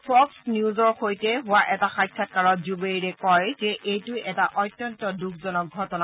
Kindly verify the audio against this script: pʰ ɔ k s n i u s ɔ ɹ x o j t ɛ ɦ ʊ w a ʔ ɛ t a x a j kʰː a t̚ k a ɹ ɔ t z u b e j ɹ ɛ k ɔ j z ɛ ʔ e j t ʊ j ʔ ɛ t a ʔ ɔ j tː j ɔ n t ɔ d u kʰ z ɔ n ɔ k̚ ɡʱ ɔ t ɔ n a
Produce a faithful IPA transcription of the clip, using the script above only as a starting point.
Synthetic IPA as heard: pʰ ɔ k s n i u z ɔ ɹ x o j t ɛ ɦ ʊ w a ʔ ɛ t a x a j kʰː a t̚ k a ɹ ɔ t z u b e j ɹ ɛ k ɔ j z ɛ ʔ e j t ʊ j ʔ ɛ t a ʔ ɔ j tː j ɔ n t ɔ d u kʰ z ɔ n ɔ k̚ ɡʱ ɔ t ɔ n a

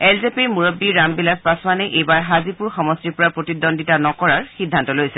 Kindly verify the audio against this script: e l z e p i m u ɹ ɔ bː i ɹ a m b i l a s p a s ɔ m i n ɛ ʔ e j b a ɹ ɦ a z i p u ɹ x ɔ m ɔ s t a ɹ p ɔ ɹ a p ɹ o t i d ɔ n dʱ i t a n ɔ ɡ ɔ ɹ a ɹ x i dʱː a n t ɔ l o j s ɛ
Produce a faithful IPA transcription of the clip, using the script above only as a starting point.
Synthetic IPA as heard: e l z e p i m u ɹ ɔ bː i ɹ a m b i l a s p a s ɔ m a n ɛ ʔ e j b a ɹ ɦ a z i p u ɹ x ɔ m ɔ s t i ɹ p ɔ ɹ a p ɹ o t i d ɔ n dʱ i t a n ɔ k ɔ ɹ a ɹ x i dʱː a n t ɔ l o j s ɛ

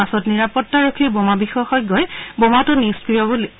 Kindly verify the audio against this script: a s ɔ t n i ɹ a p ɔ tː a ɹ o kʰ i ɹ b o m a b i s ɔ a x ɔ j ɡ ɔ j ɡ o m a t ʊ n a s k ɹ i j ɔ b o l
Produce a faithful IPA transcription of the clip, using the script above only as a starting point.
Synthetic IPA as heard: a s ɔ t n i ɹ a p ɔ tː a ɹ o kʰ i ɹ b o m a b i x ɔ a x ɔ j ɡ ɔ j b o m a t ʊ n i s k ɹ i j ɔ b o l

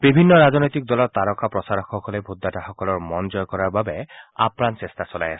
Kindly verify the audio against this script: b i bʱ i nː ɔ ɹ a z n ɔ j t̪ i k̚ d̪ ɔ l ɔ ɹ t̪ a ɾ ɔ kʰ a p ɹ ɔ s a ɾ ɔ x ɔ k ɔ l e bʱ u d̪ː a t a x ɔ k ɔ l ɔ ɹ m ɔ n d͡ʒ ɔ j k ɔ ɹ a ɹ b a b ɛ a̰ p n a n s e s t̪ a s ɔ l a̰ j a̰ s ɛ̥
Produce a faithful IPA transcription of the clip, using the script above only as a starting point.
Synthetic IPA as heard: b i bʱ i nː ɔ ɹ a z n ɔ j t̪ i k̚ d̪ ɔ l ɔ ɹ t̪ a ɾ ɔ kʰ a p ɹ ɔ s a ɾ ɔ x ɔ k ɔ l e bʱ u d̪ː a t a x ɔ k ɔ l ɔ ɹ m ɔ n d͡ʒ ɔ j k ɔ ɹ a ɹ b a b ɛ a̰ p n a n s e s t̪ a s ɔ l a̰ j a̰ s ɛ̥

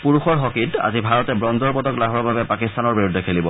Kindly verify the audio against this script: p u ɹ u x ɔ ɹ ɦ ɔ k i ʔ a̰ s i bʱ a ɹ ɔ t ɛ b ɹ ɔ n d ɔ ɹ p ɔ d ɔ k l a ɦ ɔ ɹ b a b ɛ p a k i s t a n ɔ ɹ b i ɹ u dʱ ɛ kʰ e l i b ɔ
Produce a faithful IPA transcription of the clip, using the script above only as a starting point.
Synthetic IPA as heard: p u ɹ u x ɔ ɹ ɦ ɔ k i t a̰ z i bʱ a ɹ ɔ t ɛ b ɹ ɔ n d ɔ ɹ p ɔ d ɔ k l a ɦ ɔ ɹ b a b ɛ p a k i s t a n ɔ ɹ b i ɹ u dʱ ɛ kʰ e l i b ɔ

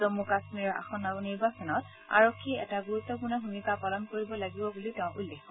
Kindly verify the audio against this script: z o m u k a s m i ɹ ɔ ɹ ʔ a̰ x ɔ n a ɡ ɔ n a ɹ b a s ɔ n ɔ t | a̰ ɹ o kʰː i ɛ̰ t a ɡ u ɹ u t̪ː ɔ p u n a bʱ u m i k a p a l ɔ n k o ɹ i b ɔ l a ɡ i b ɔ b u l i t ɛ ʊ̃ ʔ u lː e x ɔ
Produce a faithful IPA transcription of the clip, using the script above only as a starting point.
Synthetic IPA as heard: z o m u k a s m i ɹ ɔ ɹ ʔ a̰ x ɔ n a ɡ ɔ n i ɹ b a s ɔ n ɔ t | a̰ ɹ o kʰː i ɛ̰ t a ɡ u ɹ u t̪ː ɔ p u n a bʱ u m i k a p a l ɔ n k o ɹ i b ɔ l a ɡ i b ɔ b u l i t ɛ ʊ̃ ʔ u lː e x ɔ

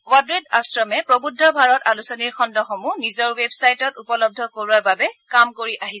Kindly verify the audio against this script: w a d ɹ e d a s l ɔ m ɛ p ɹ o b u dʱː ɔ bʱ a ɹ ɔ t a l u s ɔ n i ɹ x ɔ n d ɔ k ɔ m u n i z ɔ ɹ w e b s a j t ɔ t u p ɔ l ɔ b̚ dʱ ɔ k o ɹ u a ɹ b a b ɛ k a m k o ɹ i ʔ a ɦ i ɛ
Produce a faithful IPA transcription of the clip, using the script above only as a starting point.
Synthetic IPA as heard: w a d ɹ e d a s ɹ ɔ m ɛ p ɹ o b u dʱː ɔ bʱ a ɹ ɔ t a l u s ɔ n i ɹ x ɔ n d ɔ x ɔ m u n i z ɔ ɹ w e b s a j t ɔ t u p ɔ l ɔ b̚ dʱ ɔ k o ɹ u a ɹ b a b ɛ k a m k o ɹ i ʔ a ɦ i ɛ

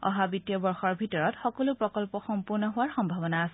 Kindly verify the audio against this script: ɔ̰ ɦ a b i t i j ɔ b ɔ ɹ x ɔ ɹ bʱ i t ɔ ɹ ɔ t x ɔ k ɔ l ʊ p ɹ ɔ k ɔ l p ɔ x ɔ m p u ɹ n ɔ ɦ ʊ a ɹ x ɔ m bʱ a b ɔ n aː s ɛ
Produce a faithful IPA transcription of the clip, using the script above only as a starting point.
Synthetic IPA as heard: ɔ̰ ɦ a b i t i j ɔ b ɔ ɹ x ɔ ɹ bʱ i t ɔ ɹ ɔ t x ɔ k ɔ l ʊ p ɹ ɔ k ɔ l p ɔ x ɔ m p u ɹ n ɔ ɦ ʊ a ɹ x ɔ m bʱ a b ɔ n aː s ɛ

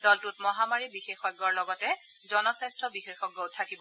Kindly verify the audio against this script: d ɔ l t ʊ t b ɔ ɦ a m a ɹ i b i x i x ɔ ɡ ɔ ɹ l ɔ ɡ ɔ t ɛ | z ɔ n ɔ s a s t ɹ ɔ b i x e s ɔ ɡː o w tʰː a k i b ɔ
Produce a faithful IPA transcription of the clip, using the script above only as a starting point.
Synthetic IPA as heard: d ɔ l t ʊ t m ɔ ɦ a m a ɹ i b i x e x ɔ ɡ ɔ ɹ l ɔ ɡ ɔ t ɛ | z ɔ n ɔ s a s t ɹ ɔ b i x e x ɔ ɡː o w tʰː a k i b ɔ

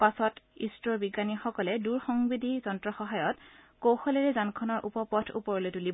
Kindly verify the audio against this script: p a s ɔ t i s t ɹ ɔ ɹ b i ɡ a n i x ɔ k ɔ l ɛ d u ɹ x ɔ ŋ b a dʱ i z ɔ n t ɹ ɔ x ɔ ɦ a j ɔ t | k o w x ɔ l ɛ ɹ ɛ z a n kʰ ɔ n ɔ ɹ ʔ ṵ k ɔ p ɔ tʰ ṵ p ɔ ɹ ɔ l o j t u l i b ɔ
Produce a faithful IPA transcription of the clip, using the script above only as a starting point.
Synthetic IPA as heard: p a s ɔ t i s t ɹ ɔ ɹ b i ɡ a n i x ɔ k ɔ l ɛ d u ɹ x ɔ ŋ b i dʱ i z ɔ n t ɹ ɔ x ɔ ɦ a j ɔ t | k o w x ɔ l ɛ ɹ ɛ z a n kʰ ɔ n ɔ ɹ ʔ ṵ p ɔ p ɔ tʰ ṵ p ɔ ɹ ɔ l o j t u l i b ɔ

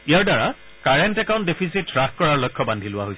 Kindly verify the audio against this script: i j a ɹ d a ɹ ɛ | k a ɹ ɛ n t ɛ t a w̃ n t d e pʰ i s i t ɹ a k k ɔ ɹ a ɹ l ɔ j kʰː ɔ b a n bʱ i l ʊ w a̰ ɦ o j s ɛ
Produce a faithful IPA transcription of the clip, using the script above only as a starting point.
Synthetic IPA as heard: i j a ɹ d a ɹ a | k a ɹ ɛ n t ɛ k a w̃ n t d e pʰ i s i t ɹ a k k ɔ ɹ a ɹ l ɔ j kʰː ɔ b a n dʱ i l ʊ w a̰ ɦ o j s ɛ

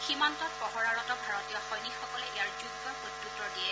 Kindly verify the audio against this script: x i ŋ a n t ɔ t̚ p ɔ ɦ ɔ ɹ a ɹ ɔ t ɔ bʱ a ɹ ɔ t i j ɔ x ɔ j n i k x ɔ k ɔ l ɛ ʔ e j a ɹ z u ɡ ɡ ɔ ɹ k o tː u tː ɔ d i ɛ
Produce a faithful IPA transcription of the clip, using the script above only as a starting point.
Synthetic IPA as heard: x i m a n t ɔ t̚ p ɔ ɦ ɔ ɹ a ɹ ɔ t ɔ bʱ a ɹ ɔ t i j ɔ x ɔ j n i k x ɔ k ɔ l ɛ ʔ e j a ɹ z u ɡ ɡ ɔ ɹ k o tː u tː ɔ d i ɛ

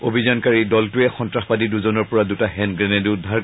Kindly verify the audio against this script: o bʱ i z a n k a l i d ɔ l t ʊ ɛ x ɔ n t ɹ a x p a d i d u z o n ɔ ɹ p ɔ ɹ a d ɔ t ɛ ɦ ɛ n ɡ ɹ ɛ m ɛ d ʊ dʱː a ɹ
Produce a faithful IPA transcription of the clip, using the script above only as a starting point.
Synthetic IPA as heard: o bʱ i z a n k a ɹ i d ɔ l t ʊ ɛ x ɔ n t ɹ a x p a d i d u z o n ɔ ɹ p ɔ ɹ a d u t a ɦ ɛ n ɡ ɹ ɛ n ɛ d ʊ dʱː a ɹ

